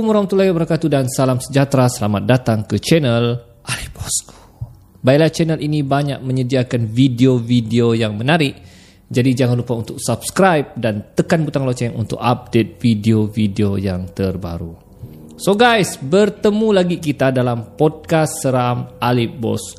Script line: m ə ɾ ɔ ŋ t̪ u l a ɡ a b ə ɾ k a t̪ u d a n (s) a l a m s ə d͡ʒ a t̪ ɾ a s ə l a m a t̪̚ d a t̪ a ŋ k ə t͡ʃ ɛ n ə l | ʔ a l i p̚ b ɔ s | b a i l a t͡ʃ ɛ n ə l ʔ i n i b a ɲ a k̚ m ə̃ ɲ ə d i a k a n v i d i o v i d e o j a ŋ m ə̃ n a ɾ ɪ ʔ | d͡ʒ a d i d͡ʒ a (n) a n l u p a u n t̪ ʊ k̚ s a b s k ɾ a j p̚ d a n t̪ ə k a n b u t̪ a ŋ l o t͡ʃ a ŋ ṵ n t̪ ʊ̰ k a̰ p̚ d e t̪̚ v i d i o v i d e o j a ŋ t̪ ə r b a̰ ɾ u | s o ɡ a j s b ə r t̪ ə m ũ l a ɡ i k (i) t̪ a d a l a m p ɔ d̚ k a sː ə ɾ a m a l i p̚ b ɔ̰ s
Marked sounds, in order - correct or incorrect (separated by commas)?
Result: correct, incorrect, correct